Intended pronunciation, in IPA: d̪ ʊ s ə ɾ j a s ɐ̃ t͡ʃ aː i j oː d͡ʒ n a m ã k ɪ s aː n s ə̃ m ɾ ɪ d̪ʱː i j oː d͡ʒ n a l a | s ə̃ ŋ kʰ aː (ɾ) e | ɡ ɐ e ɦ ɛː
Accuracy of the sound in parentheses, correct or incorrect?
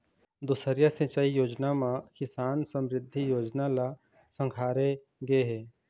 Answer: correct